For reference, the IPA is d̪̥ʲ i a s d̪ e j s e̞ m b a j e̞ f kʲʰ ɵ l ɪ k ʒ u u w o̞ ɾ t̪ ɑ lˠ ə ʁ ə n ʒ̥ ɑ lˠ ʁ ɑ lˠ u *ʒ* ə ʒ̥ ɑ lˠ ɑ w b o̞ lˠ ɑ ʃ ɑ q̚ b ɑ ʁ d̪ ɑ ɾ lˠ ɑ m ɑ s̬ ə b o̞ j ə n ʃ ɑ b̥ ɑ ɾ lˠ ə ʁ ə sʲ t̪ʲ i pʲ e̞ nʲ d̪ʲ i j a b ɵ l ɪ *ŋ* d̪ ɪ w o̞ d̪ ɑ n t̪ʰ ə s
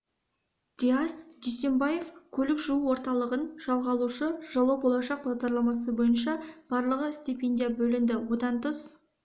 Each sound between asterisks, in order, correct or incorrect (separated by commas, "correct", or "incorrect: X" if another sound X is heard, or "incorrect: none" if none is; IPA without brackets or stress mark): incorrect: ʃ, incorrect: n